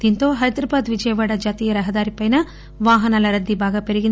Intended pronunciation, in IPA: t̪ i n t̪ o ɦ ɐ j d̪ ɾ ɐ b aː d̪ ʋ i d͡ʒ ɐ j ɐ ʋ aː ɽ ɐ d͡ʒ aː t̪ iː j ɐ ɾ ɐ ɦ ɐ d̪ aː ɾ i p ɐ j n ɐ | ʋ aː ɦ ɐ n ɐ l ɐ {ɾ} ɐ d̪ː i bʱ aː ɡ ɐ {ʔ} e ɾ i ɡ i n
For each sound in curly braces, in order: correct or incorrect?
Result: correct, incorrect

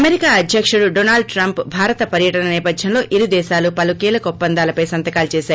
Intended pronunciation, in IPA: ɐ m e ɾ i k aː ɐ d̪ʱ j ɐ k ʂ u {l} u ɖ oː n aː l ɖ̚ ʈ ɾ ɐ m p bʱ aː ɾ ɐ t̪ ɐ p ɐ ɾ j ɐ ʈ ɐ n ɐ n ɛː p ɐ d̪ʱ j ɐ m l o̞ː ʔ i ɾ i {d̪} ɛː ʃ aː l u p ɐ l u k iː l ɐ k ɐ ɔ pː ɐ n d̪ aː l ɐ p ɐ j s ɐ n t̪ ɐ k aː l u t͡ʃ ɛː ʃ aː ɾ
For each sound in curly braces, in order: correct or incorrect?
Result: incorrect, correct

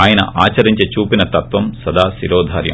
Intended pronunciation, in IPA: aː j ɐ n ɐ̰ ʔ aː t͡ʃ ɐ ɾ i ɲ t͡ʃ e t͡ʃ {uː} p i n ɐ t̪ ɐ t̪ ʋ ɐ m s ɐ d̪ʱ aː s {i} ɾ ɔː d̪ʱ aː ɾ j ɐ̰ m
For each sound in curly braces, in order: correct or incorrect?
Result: correct, correct

